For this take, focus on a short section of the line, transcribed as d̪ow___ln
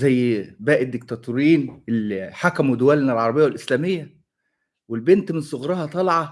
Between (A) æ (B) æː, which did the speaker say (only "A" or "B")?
A